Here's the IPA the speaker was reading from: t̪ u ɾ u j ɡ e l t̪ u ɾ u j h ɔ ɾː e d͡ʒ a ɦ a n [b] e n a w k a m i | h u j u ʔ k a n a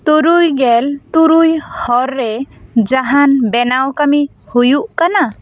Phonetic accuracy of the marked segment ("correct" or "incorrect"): correct